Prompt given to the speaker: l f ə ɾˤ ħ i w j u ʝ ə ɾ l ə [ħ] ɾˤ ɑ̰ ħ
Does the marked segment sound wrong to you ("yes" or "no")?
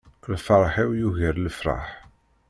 yes